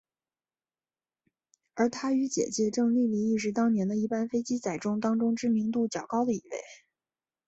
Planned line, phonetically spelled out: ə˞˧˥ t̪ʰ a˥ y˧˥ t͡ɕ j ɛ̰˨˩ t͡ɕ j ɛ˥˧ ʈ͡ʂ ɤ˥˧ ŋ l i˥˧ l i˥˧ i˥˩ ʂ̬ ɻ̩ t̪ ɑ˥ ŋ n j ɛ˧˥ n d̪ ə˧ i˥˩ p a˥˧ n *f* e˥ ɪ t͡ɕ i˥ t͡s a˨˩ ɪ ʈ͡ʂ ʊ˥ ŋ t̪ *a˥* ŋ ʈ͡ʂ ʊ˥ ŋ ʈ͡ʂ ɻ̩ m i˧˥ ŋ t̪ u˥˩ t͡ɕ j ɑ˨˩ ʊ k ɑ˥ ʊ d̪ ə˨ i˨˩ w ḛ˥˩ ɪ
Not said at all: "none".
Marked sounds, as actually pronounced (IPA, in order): f, ɑ˥

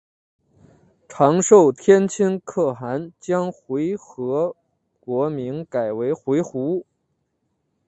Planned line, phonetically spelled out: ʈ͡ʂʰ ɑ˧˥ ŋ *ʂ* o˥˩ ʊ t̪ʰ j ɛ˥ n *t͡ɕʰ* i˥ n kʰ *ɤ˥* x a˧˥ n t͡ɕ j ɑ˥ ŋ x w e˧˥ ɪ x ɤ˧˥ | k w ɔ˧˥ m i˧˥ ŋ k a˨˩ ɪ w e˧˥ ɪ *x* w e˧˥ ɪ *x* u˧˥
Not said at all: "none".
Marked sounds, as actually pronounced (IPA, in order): ʂ, t͡ɕʰ, ɤ˥˩, x, x

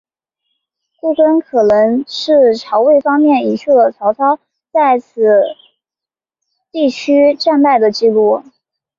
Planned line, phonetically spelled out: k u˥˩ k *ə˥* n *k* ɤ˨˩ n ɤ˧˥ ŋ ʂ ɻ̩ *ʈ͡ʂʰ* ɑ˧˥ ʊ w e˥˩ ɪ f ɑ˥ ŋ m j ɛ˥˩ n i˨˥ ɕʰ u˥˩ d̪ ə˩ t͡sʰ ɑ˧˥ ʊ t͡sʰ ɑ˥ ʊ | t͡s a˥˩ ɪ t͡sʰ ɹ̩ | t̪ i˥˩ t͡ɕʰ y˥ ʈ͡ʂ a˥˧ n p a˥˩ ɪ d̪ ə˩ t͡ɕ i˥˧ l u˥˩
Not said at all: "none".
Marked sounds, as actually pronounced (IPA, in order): ə˥, kʰ, ʈ͡ʂʰ

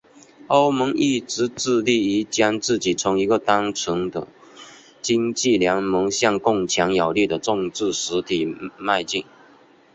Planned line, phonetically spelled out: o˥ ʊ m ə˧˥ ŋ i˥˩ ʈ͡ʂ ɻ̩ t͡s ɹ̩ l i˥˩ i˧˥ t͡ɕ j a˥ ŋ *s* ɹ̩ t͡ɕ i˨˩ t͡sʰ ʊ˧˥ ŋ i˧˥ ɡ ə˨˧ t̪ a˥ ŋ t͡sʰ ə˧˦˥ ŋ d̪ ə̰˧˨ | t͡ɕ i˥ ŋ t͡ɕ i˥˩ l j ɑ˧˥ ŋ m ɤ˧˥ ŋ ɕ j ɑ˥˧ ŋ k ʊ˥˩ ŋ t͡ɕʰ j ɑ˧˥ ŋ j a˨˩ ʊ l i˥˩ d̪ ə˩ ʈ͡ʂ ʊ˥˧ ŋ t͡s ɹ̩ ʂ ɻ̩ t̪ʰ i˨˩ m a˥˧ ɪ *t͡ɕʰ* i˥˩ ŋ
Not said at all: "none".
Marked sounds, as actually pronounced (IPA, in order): t͡s, t͡ɕ

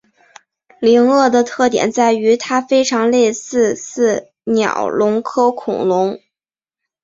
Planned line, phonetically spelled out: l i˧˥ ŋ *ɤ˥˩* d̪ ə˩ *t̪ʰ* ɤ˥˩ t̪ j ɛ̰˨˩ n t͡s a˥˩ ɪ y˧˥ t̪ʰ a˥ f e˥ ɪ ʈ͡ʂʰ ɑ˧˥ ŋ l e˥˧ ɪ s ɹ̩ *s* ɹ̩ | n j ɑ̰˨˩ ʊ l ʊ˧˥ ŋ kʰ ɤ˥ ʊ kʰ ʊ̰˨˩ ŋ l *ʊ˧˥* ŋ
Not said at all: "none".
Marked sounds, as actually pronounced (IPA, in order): ɤ˥˩, t̪ʰ, s, ʊ˧˥

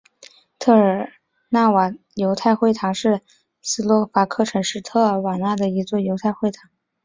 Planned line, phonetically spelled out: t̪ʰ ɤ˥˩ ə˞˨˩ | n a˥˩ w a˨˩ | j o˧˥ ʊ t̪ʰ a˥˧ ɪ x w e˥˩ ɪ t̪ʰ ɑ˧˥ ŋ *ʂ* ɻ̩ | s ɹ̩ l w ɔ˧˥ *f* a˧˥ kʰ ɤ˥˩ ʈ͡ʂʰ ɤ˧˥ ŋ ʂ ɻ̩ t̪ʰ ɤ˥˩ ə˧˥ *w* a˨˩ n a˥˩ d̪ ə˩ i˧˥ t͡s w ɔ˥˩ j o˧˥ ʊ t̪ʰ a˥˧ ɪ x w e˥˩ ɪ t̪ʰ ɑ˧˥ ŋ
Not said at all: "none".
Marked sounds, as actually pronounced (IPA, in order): ʂ, f, w

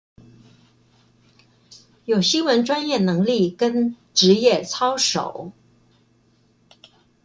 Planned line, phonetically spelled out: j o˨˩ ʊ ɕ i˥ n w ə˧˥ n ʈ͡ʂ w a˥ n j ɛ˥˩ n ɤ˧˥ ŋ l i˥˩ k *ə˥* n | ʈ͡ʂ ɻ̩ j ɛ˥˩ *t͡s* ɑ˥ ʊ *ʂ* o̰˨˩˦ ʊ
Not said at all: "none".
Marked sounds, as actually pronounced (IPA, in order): ə˥, t͡sʰ, ʂ

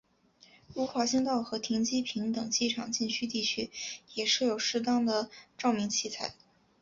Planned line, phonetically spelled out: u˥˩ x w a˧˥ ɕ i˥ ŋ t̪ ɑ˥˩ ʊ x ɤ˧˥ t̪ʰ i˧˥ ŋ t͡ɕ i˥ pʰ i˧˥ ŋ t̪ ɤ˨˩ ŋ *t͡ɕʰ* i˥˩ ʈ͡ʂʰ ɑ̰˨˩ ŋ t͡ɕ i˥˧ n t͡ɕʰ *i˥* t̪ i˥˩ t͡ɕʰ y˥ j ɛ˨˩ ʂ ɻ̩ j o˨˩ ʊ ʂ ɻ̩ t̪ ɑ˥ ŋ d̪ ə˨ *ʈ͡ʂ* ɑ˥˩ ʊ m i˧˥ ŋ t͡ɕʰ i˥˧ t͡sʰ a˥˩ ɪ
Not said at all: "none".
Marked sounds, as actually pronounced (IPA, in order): t͡ɕ, y˥, ʈ͡ʂ

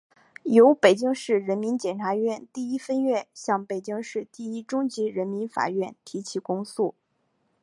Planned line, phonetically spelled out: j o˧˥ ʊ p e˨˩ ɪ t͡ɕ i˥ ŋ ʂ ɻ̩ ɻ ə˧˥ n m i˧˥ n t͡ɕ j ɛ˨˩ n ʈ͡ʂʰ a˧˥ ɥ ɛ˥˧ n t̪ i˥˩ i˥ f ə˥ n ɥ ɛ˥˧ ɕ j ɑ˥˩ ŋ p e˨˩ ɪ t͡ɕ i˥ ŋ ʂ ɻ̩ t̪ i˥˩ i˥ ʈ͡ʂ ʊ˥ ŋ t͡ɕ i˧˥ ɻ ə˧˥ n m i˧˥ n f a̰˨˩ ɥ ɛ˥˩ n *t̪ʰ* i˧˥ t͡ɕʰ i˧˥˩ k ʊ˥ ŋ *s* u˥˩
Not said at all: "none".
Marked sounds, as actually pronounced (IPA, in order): t̪ʰ, s

